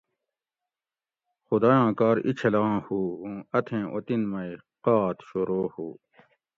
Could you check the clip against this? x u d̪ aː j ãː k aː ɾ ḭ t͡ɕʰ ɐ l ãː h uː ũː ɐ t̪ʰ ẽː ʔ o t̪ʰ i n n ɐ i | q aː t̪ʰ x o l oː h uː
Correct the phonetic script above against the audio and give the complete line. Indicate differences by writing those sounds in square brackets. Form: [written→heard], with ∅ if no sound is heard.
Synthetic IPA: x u d̪ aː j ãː k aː ɾ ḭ t͡ɕʰ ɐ l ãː h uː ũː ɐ t̪ʰ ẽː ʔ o [t̪ʰ→t̪] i n [n→m] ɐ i | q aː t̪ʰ [x→ɕ] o [l→ɾ] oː h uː